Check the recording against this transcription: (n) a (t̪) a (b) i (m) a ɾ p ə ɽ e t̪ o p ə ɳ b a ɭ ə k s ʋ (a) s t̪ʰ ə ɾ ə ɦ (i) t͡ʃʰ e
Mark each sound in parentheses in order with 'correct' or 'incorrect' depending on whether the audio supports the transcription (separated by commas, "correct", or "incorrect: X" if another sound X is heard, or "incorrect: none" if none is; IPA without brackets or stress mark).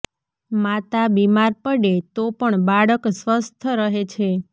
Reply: incorrect: m, correct, correct, correct, incorrect: ə, incorrect: e